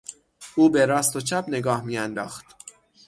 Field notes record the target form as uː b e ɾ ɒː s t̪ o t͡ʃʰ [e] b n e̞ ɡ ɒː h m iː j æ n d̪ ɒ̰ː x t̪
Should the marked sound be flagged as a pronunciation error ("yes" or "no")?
yes